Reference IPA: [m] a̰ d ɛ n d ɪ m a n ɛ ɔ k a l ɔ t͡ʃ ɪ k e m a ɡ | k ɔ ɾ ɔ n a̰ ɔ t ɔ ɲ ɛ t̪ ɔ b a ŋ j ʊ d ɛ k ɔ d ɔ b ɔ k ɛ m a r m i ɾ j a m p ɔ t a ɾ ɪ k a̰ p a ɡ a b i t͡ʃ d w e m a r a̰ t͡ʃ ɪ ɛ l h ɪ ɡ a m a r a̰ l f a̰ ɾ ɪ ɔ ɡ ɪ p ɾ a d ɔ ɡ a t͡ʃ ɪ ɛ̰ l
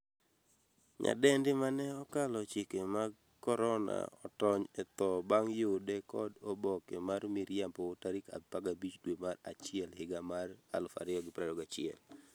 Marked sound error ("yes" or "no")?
yes